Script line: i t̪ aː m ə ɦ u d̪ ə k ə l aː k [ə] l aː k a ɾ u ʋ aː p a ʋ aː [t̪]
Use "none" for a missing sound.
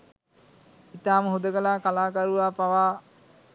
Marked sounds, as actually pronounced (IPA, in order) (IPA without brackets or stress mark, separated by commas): a, none